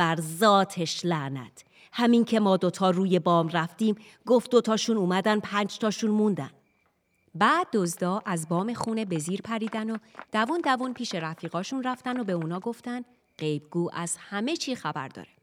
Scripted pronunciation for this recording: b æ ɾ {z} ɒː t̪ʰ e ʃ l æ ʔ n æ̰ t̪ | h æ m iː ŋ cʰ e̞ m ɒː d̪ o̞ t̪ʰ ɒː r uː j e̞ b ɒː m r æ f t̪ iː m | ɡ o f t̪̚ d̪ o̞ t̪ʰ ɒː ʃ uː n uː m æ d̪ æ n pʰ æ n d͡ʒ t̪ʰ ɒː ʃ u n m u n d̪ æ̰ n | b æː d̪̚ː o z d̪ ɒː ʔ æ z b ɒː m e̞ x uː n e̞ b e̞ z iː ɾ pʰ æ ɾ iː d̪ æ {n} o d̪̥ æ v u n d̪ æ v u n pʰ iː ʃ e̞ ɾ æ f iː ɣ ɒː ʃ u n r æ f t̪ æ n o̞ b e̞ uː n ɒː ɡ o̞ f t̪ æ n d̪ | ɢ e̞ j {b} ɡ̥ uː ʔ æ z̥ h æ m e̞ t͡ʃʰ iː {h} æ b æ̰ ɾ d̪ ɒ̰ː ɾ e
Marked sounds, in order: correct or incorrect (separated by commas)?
correct, correct, correct, incorrect